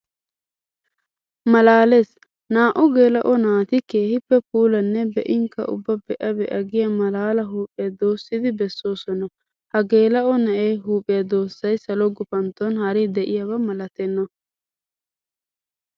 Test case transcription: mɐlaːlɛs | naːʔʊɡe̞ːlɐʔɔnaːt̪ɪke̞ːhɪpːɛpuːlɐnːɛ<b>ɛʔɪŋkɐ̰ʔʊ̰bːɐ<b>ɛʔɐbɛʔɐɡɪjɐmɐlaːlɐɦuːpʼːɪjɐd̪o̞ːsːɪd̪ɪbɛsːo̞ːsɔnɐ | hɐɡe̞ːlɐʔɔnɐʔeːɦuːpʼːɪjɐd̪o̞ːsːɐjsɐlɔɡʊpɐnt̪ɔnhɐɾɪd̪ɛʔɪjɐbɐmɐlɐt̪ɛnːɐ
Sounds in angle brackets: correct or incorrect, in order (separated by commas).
correct, correct